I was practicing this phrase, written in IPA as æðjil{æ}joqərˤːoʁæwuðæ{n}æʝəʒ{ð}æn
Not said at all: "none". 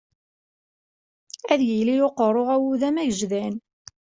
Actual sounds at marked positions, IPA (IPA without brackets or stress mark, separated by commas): i, m, ð